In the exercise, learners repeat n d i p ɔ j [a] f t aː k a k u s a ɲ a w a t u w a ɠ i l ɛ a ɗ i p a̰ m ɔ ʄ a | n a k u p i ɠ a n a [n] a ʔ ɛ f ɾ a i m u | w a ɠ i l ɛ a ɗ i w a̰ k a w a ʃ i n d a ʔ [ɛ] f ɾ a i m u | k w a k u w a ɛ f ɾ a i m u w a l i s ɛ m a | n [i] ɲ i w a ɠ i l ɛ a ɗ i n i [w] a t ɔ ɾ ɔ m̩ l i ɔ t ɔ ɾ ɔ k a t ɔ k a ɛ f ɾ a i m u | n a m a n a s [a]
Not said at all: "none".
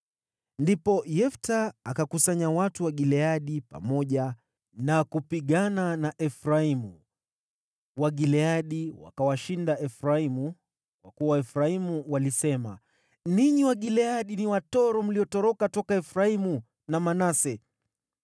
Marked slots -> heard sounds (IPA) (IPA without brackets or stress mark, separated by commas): ɛ, n, ɛ, i, w, ɛ